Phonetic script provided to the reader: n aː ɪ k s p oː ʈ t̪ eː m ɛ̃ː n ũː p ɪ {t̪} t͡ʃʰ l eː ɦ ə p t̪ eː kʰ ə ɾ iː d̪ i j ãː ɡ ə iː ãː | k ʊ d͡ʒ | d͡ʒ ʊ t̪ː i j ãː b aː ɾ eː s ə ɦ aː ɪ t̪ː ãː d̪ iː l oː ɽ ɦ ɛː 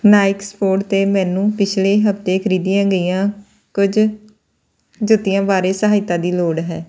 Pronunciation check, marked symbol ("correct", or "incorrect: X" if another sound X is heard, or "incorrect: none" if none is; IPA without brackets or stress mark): incorrect: none